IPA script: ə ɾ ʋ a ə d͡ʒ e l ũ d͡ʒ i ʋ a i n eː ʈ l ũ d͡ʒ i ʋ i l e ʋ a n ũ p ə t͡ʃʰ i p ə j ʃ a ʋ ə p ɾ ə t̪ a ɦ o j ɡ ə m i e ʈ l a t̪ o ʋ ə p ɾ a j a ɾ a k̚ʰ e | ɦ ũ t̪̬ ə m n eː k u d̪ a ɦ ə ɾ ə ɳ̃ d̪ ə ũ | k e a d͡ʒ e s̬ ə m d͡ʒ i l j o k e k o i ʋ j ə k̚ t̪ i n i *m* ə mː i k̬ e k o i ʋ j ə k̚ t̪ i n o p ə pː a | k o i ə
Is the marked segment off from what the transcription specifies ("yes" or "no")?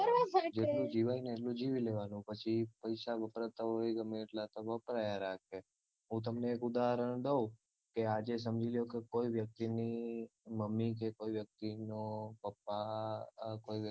no